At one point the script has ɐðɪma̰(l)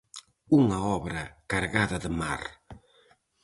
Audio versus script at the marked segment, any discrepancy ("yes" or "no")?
yes